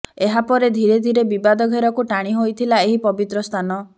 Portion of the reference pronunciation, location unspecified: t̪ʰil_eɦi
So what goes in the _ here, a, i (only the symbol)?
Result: a